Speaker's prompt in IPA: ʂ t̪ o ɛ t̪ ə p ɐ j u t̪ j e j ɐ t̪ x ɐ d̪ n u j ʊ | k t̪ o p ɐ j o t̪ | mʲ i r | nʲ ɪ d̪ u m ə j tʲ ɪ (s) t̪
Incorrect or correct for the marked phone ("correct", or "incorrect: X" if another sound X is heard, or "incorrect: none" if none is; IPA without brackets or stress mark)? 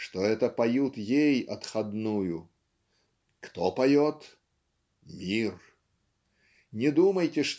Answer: incorrect: ʂ